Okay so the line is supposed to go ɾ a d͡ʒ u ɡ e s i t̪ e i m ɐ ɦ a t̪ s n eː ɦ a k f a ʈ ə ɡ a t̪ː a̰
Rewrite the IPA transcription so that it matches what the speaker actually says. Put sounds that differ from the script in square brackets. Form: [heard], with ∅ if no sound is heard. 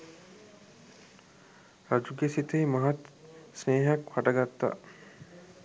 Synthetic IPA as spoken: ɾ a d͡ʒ u ɡ e s i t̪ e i m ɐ ɦ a t̪ s n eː ɦ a k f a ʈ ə ɡ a t̪ː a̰